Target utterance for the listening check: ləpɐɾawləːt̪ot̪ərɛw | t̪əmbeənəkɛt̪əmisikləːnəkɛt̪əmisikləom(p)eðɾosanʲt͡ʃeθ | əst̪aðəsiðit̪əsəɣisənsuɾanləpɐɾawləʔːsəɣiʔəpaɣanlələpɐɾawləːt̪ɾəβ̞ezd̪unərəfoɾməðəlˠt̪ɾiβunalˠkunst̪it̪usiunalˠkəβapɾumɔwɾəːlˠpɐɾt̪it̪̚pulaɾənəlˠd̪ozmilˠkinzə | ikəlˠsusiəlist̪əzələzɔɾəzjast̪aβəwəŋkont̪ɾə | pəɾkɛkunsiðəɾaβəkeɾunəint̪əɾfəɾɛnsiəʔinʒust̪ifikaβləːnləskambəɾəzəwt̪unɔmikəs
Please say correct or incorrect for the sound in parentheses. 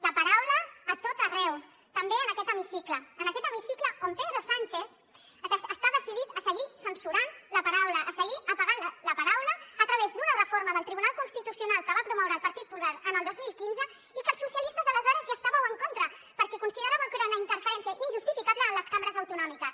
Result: correct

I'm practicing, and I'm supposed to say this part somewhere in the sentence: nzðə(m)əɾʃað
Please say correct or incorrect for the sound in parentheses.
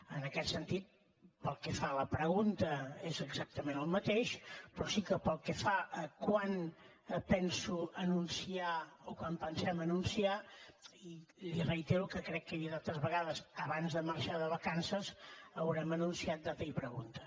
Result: correct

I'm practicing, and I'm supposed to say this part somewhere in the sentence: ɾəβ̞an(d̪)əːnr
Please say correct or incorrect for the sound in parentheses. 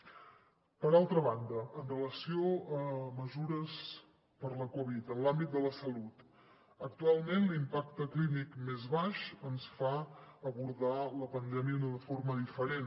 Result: correct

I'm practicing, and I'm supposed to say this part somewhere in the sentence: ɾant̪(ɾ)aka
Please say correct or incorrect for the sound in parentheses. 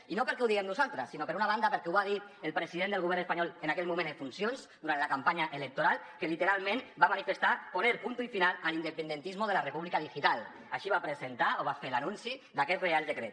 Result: incorrect: l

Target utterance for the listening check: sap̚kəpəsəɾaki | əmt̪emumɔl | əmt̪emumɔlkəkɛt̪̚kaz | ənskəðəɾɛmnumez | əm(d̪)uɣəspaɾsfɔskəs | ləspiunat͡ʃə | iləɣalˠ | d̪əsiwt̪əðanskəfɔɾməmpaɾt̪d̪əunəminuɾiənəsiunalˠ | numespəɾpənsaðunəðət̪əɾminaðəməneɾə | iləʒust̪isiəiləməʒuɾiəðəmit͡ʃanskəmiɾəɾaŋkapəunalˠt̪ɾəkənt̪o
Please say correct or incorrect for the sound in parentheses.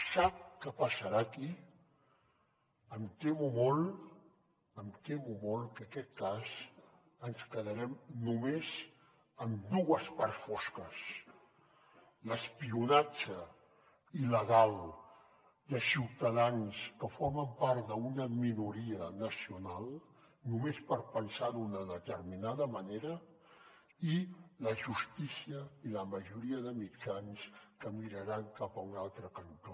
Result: correct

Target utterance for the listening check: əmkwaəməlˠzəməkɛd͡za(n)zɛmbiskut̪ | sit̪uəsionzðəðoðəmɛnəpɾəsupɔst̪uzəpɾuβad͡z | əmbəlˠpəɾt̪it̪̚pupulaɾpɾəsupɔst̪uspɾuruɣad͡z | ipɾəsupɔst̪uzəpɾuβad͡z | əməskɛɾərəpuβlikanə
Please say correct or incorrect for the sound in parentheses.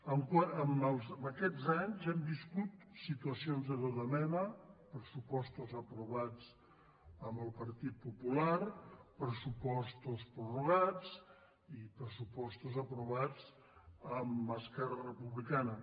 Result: incorrect: ɲ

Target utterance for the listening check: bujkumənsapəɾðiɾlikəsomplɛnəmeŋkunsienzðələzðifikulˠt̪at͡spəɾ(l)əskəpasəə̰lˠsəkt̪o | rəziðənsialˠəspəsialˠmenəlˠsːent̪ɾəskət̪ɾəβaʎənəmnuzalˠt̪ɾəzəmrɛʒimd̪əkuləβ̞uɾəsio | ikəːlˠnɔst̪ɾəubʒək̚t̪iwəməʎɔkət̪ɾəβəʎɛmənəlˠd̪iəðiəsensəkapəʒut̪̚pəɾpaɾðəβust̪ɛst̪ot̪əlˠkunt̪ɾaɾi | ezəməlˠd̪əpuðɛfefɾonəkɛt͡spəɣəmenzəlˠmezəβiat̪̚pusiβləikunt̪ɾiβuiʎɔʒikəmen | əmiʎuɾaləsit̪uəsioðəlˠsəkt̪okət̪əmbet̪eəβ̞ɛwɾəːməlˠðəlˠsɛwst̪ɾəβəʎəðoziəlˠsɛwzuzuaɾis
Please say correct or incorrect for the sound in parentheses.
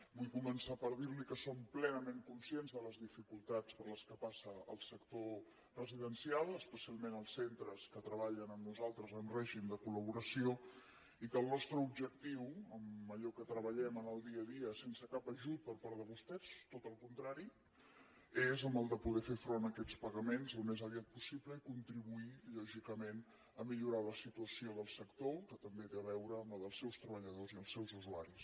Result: correct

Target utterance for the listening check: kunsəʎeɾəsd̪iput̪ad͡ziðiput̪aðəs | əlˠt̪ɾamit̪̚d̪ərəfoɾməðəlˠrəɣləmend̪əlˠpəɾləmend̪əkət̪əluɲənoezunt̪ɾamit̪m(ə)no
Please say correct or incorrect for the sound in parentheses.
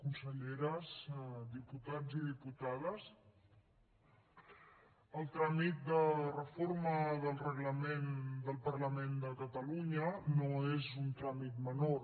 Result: correct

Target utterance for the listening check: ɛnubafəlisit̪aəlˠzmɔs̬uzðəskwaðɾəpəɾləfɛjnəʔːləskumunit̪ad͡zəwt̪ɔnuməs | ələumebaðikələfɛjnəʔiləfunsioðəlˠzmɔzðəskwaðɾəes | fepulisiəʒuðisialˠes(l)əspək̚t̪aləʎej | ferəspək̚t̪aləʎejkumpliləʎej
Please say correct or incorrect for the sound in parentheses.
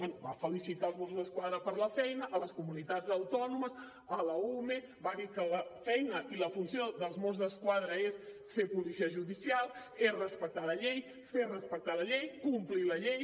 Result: incorrect: r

